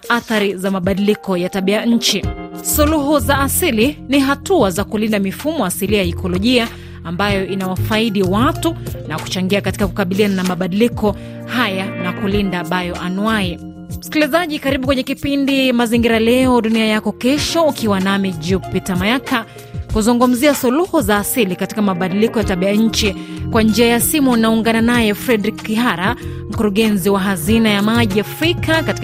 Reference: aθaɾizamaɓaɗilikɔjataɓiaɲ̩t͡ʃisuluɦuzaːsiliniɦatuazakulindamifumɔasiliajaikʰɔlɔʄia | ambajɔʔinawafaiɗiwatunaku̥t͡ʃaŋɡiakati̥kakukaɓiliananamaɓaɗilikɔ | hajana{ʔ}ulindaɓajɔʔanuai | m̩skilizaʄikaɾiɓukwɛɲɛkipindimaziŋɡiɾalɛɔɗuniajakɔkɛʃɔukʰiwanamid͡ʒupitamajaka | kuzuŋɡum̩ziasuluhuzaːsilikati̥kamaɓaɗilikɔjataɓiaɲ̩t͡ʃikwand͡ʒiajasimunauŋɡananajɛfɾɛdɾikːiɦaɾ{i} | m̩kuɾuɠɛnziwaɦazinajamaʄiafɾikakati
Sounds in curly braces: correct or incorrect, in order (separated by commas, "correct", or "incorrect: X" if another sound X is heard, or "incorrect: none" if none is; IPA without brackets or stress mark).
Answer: incorrect: k, incorrect: a